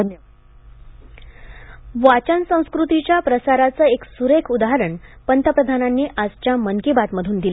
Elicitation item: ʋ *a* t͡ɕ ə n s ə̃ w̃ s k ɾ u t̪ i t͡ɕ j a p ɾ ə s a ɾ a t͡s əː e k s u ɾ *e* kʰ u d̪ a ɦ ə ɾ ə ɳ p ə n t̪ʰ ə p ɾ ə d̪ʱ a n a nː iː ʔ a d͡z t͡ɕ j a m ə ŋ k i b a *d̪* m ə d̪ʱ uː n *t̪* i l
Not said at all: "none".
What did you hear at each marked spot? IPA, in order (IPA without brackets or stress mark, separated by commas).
a, e, t̪, d̪